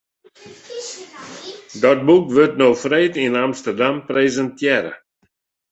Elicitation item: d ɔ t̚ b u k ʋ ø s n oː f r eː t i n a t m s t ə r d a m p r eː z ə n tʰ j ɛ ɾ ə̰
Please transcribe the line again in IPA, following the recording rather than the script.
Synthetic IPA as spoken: d ɔ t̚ b u k ʋ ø t n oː f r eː t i n a m s t ə r d a m p r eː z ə n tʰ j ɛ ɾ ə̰